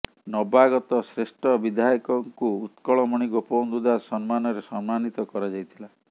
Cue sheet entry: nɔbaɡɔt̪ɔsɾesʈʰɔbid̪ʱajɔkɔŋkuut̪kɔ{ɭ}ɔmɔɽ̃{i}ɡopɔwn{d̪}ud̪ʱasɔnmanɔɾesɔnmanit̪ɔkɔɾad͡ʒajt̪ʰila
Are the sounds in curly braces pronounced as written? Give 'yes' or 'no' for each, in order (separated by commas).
yes, yes, yes